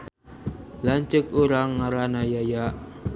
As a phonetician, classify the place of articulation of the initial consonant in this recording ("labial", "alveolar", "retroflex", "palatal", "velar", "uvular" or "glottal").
alveolar